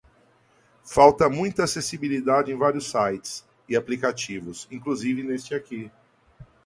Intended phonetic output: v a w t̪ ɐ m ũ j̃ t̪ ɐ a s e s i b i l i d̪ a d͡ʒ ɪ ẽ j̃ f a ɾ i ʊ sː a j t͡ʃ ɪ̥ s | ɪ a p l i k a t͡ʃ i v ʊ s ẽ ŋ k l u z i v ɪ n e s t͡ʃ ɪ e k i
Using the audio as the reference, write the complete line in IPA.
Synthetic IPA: f a w t̪ ɐ m ũ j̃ t̪ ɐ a s e s i b i l i d̪ a d͡ʒ ɪ ẽ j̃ v a ɾ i ʊ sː a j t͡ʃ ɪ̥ s | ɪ a p l i k a t͡ʃ i v ʊ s ĩ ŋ k l u z i v ɪ n e s t͡ʃ ɪ a k i